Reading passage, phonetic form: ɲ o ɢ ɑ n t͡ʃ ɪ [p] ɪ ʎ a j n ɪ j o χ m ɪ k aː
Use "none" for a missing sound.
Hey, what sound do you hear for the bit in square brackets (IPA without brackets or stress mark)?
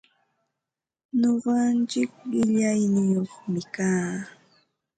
k